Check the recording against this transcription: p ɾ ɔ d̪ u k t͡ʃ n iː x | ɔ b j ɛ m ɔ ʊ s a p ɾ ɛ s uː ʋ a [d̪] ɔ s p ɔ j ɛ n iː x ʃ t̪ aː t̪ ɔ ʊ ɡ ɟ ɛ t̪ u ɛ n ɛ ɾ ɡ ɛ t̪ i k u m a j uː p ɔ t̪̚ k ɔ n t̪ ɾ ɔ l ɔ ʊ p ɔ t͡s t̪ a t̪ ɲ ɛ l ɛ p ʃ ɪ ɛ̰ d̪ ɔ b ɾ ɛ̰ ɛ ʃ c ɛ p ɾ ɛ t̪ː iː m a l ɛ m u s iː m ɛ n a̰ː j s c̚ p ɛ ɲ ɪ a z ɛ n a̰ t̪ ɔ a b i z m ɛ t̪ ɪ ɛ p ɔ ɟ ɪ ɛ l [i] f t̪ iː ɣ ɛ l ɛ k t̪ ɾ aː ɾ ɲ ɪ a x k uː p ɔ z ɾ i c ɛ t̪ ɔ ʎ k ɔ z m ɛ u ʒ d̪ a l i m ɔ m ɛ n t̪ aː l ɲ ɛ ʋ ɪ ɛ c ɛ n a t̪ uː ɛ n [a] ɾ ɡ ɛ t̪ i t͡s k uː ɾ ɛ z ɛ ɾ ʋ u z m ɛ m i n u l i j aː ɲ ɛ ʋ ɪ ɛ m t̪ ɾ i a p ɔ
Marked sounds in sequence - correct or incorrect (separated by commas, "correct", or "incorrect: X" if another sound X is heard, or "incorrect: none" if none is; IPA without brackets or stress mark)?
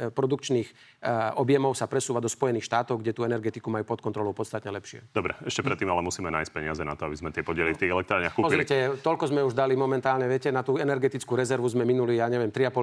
correct, correct, incorrect: ɛ